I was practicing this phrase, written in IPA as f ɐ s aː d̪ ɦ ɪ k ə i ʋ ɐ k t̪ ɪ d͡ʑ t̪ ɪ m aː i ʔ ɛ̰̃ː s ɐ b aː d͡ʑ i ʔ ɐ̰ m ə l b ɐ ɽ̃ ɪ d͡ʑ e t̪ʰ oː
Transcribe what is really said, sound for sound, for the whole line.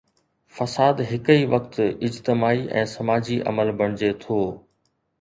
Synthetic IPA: f ɐ s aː d̪ ɦ ɪ k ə i ʋ ɐ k t̪ ɪ d͡ʑ t̪ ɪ m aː i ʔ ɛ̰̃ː s ɐ m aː d͡ʑ i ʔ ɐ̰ m ə l b ɐ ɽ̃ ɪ d͡ʑ e t̪ʰ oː